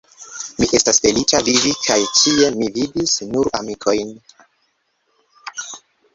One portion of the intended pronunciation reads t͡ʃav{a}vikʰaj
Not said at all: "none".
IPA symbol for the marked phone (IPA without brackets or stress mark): i